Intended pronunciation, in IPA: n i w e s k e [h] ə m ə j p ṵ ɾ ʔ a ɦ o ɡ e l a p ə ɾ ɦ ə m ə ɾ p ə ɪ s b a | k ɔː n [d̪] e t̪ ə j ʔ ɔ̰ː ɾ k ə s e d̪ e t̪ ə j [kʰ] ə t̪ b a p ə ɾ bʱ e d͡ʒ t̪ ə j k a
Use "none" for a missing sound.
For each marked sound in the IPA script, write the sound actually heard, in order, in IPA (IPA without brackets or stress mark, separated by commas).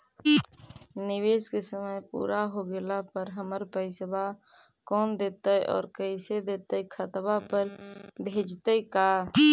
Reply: s, d̪, kʰ